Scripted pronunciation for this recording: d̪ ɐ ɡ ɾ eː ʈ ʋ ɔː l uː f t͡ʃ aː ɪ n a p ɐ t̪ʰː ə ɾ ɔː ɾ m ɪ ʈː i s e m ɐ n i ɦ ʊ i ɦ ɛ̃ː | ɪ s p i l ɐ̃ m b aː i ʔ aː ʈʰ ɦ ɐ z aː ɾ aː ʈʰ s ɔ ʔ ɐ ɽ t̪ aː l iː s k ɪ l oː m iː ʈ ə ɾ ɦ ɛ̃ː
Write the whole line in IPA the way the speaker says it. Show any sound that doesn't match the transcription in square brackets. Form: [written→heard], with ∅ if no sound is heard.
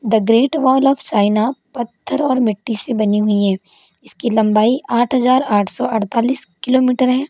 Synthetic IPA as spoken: d̪ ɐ ɡ ɾ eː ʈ ʋ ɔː l [uː→ɔː] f t͡ʃ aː ɪ n a p ɐ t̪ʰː ə ɾ ɔː ɾ m ɪ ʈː i s e [m→b] ɐ n i ɦ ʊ i ɦ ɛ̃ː | ɪ s [p→k] i l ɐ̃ m b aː i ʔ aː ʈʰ ɦ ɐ z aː ɾ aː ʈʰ s ɔ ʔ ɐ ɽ t̪ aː l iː s k ɪ l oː m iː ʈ ə ɾ ɦ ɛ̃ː